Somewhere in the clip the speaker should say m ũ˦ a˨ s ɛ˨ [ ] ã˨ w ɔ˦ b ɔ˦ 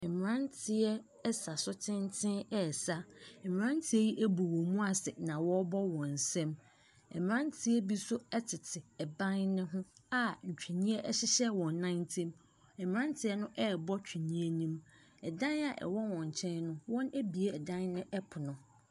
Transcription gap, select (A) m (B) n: B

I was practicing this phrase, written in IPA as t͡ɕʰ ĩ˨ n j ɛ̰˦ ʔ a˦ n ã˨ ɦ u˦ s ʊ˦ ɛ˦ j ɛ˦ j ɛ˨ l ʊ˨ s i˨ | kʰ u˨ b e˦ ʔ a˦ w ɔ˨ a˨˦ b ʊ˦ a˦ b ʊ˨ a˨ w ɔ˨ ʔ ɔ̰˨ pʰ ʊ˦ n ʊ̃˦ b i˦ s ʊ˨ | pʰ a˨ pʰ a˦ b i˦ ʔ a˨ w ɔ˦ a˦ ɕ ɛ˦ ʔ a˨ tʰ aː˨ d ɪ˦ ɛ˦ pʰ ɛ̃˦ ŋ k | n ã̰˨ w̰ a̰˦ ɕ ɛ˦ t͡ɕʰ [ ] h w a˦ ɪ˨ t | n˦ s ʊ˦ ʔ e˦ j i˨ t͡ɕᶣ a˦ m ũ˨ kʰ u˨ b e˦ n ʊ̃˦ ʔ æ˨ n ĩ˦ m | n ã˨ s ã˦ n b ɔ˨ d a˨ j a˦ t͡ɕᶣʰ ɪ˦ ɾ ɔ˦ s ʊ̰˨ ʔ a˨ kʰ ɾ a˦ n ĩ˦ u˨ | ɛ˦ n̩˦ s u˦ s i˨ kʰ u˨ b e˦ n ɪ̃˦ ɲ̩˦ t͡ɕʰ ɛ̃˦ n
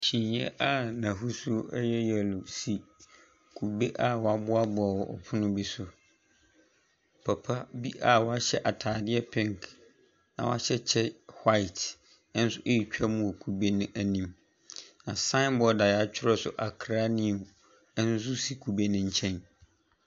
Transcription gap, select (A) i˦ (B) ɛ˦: B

